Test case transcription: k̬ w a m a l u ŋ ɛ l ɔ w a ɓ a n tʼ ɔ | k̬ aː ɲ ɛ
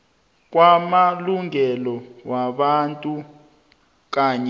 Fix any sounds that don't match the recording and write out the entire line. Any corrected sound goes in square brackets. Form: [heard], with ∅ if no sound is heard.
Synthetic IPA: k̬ w a m a l u ŋ ɛ l ɔ w a ɓ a n tʼ [u] | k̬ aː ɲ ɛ